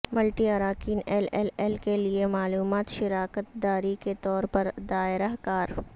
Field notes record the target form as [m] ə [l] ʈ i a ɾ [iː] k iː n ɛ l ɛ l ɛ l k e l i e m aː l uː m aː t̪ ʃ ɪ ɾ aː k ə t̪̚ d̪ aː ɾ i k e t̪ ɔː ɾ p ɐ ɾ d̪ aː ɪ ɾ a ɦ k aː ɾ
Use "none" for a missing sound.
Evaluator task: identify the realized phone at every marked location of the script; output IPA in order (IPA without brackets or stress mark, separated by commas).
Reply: m, l, aː